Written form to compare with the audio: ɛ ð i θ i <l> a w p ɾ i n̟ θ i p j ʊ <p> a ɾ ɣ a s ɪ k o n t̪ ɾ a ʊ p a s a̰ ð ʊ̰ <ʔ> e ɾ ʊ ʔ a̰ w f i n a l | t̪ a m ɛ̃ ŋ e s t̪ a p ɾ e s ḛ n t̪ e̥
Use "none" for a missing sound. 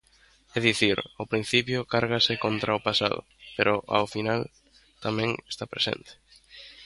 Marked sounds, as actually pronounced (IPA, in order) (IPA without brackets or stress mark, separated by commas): ɾ, k, p